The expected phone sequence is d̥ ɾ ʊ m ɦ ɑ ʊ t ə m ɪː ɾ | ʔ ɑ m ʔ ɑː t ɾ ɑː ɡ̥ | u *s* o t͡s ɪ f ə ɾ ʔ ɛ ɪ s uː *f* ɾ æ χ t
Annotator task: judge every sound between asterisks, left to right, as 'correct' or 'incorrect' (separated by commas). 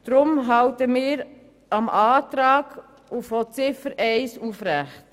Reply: incorrect, correct